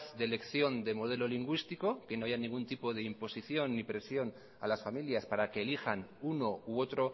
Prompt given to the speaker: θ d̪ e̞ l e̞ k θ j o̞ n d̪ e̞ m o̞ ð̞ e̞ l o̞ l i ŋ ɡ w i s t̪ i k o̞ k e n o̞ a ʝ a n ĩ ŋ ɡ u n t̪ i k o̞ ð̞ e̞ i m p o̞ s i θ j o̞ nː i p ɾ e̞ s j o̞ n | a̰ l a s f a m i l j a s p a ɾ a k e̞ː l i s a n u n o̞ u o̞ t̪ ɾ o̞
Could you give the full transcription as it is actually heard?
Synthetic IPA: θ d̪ e̞ l e̞ k θ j o̞ n d̪ e̞ m o̞ ð̞ e̞ l o̞ l i ŋ ɡ w i s t̪ i k o̞ k e n o̞ a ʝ a n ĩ ŋ ɡ u n t̪ i p o̞ ð̞ e̞ i m p o̞ s i θ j o̞ nː i p ɾ e̞ s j o̞ n | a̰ l a s f a m i l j a s p a ɾ a k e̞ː l i x a n u n o̞ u o̞ t̪ ɾ o̞

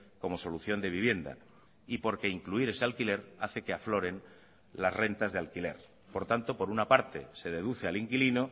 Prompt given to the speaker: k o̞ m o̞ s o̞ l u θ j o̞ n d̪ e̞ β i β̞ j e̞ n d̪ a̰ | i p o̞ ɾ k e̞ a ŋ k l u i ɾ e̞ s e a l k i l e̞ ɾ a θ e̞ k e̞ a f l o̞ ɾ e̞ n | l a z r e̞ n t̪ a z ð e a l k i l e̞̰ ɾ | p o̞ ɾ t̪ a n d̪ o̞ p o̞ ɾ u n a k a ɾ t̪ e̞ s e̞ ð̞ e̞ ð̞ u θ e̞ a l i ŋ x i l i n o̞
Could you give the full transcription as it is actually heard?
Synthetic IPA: k o̞ m o̞ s o̞ l u θ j o̞ n d̪ e̞ β i β̞ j e̞ n d̪ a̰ | i p o̞ ɾ k e̞ i ŋ k l u i ɾ e̞ s e a l k i l e̞ ɾ a θ e̞ k e̞ a f l o̞ ɾ e̞ n | l a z r e̞ n t̪ a z ð e a l k i l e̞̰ ɾ | p o̞ ɾ t̪ a n t̪ o̞ p o̞ ɾ u n a p a ɾ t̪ e̞ s e̞ ð̞ e̞ ð̞ u θ e̞ a l i ŋ k i l i n o̞

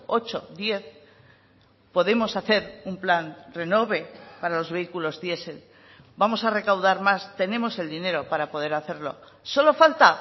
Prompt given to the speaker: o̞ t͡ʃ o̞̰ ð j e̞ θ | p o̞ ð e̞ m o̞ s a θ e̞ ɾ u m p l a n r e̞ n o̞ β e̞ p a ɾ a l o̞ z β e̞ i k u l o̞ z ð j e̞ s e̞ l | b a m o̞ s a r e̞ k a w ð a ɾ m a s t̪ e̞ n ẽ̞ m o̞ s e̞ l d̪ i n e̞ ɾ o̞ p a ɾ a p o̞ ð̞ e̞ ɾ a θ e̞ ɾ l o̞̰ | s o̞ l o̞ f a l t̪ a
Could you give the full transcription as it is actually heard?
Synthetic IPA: o̞ t͡ʃ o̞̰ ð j e̞ θ | p o̞ ð e̞ m o̞ s a θ e̞ ɾ u m p l a n r e̞ n o̞ β e̞ p a ɾ a l o̞ z β e̞ i k u l o̞ z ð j e̞ s e̞ l | b a m o̞ s a r e̞ k a w ð a ɾ m a s t̪ e̞ n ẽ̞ m o̞ s e̞ l d̪ i n e̞ ɾ o̞ p a ɾ a p o̞ ð̞ e̞ ɾ a θ e̞ ɾ l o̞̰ | s o̞ l o̞ f a l t̪ a

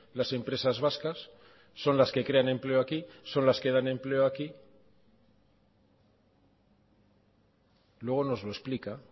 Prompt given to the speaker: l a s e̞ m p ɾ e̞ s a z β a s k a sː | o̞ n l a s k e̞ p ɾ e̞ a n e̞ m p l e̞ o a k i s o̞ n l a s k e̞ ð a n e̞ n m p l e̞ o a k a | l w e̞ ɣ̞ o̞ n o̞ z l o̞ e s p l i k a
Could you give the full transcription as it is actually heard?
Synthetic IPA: l a s e̞ m p ɾ e̞ s a z β a s k a sː | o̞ n l a s k e̞ k ɾ e̞ a n e̞ m p l e̞ o a k i s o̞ n l a s k e̞ ð a n e̞ m p l e̞ o a k i | l w e̞ ɣ̞ o̞ n o̞ z l o̞ e s p l i k a

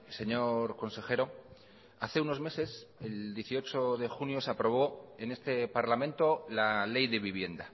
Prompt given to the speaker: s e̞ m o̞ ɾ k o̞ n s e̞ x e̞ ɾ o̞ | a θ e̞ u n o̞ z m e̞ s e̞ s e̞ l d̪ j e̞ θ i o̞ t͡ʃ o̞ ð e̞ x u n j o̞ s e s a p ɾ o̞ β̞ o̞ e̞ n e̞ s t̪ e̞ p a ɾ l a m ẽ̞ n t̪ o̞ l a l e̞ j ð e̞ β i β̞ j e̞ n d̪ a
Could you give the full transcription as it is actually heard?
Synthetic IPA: s e̞ ɲ o̞ ɾ k o̞ n s e̞ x e̞ ɾ o̞ | a θ e̞ u n o̞ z m e̞ s e̞ s e̞ l d̪ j e̞ θ i o̞ t͡ʃ o̞ ð e̞ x u n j o̞ s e a p ɾ o̞ β̞ o̞ e̞ n e̞ s t̪ e̞ p a ɾ l a m ẽ̞ n t̪ o̞ l a l e̞ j ð e̞ β i β̞ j e̞ n d̪ a

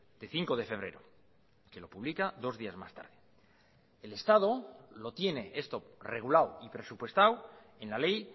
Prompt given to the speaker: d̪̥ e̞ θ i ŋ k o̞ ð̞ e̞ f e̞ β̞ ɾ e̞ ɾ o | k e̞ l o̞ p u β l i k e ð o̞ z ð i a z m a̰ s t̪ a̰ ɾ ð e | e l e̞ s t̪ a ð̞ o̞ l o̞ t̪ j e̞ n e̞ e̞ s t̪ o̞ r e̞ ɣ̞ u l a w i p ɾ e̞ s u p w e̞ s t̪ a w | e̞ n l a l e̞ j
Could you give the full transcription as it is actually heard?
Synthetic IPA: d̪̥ e̞ θ i ŋ k o̞ ð̞ e̞ f e̞ β̞ ɾ e̞ ɾ o | k e̞ l o̞ p u β l i k a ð o̞ z ð i a z m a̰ s t̪ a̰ ɾ ð e | e l e̞ s t̪ a ð̞ o̞ l o̞ t̪ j e̞ n e̞ e̞ s t̪ o̞ r e̞ ɣ̞ u l a w i p ɾ e̞ s u p w e̞ s t̪ a w | e̞ n l a l e̞ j

